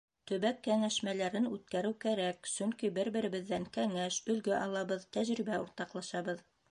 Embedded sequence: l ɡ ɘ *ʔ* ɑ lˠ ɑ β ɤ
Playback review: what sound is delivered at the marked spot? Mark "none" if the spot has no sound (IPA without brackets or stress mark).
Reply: ʔ